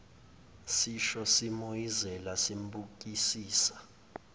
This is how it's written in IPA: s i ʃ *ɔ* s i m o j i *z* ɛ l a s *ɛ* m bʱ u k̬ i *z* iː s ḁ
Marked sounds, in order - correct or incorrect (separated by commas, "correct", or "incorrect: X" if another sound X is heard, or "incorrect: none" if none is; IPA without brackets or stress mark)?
correct, correct, incorrect: i, incorrect: s